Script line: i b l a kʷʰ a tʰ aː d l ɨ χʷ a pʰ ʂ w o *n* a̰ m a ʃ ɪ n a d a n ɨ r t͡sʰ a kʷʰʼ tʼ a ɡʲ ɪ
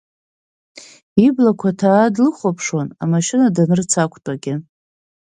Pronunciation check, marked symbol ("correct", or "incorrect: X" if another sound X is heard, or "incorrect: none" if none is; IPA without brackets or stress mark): correct